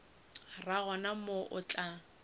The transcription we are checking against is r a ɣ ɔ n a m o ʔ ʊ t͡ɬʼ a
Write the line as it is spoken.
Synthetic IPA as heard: r a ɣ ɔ n a m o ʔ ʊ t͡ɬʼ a